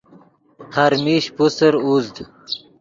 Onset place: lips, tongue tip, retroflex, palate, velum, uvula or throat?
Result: throat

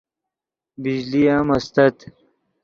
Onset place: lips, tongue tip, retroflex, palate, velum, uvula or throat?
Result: lips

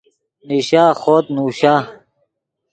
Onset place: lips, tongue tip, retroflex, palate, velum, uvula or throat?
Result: tongue tip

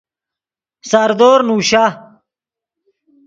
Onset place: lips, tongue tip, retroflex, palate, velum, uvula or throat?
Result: tongue tip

